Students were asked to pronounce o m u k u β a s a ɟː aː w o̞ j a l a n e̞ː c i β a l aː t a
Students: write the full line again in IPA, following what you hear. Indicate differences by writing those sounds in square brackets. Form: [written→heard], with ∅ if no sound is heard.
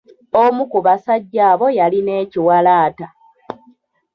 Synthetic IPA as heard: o m u k u β a s a ɟː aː [w→β] o̞ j a l [a→i] n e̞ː c i [β→w] a l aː t a